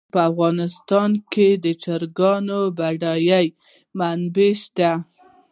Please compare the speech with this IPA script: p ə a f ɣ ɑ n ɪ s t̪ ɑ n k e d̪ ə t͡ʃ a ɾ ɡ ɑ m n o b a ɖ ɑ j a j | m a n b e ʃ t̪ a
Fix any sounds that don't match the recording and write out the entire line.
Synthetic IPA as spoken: p ə a f ɣ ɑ n ɪ s t̪ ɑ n k e d̪ ə t͡ʃ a ɾ ɡ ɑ n o b a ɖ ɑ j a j | m a n b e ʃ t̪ a